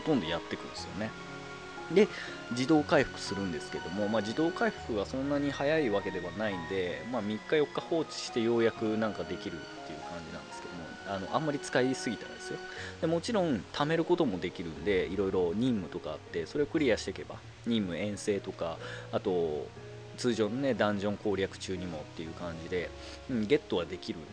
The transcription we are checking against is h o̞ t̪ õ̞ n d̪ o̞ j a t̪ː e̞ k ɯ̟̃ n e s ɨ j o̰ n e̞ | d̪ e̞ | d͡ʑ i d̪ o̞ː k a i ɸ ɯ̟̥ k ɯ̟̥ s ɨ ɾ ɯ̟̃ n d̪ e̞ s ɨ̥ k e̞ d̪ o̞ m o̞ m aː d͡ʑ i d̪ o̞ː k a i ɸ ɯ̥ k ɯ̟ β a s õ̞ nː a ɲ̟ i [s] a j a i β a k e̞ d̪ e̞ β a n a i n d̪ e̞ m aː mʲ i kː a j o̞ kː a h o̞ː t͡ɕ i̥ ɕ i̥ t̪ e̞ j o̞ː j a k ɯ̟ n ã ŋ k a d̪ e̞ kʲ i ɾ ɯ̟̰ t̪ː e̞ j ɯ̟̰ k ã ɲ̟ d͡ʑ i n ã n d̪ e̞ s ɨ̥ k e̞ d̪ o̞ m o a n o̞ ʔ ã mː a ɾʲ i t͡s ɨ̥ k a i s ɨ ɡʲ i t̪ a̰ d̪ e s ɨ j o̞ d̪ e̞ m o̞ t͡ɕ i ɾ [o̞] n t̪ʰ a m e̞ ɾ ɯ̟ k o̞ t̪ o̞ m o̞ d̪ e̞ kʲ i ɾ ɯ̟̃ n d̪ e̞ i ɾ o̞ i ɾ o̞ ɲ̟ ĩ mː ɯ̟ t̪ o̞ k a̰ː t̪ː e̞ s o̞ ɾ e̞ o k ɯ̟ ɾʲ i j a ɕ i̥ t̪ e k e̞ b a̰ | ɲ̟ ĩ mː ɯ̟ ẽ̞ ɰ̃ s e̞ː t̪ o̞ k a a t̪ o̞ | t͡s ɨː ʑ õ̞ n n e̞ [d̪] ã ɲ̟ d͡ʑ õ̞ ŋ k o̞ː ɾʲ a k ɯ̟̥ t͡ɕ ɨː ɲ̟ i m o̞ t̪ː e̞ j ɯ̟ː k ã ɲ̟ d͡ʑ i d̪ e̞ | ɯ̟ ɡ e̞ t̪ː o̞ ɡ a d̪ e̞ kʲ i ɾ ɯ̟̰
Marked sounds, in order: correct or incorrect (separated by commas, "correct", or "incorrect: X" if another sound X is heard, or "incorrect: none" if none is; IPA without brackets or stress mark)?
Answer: incorrect: h, incorrect: õ̞, correct